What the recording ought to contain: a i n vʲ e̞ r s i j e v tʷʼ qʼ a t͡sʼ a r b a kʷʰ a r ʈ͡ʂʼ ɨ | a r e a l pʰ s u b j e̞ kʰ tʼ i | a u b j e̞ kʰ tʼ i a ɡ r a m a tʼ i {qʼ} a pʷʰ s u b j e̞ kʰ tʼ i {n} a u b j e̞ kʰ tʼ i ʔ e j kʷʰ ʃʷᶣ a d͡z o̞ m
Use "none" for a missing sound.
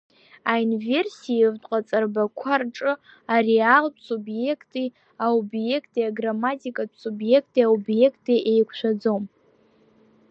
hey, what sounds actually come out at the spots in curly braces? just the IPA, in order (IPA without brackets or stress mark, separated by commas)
kʼ, none